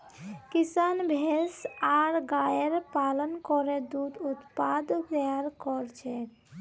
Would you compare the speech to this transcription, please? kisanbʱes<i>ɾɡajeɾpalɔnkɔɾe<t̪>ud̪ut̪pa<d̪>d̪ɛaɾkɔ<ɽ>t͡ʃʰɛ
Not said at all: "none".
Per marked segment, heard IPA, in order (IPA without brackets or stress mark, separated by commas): a, d̪, d̪, ɾ